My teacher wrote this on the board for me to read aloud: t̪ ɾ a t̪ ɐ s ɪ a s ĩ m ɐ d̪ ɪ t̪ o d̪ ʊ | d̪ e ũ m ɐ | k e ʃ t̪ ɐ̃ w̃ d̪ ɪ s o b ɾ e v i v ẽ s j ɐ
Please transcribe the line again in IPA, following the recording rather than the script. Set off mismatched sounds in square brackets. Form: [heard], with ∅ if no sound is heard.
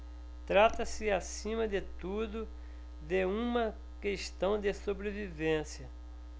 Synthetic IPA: t̪ ɾ a t̪ ɐ s ɪ a s ĩ m ɐ d̪ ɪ t̪ [u] d̪ ʊ | d̪ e ũ m ɐ | k e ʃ t̪ ɐ̃ w̃ d̪ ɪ s o b ɾ e v i v ẽ s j ɐ

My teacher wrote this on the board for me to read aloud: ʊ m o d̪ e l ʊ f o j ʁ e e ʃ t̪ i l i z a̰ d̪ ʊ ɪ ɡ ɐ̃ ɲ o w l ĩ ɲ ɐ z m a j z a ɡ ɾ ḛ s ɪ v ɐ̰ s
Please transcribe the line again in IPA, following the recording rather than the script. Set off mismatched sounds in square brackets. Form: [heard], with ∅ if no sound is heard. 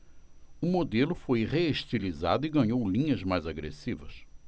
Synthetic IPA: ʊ m o d̪ e l ʊ f o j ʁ e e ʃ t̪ i l i z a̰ d̪ ʊ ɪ ɡ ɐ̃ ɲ o w l ĩ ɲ ɐ z m a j z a ɡ ɾ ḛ s [i] v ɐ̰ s

